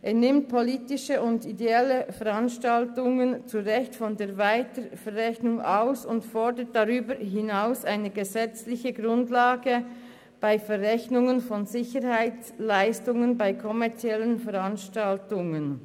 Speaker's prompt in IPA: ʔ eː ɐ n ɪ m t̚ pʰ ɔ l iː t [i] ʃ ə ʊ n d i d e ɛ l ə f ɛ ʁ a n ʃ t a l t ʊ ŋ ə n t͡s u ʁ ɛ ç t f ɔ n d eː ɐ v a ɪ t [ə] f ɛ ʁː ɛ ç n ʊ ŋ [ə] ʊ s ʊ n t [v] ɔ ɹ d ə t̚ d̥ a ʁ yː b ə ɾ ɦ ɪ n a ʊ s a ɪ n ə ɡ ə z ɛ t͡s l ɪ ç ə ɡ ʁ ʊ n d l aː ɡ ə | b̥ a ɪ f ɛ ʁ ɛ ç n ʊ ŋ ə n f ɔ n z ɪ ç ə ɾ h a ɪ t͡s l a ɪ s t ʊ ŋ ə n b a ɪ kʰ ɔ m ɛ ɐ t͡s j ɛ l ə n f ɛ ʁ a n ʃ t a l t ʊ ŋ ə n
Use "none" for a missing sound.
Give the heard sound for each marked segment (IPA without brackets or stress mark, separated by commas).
ɪ, ə, a, f